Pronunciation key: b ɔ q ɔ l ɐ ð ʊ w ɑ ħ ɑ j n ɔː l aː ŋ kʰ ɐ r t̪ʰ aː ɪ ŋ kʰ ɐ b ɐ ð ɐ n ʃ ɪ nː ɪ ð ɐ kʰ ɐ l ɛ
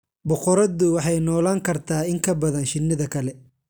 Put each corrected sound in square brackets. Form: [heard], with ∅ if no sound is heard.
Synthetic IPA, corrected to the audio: b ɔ q ɔ [ɾ] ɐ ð ʊ w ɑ ħ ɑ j n ɔː l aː ŋ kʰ ɐ r t̪ʰ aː ɪ ŋ kʰ ɐ b ɐ ð ɐ n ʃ ɪ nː ɪ ð ɐ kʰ ɐ l ɛ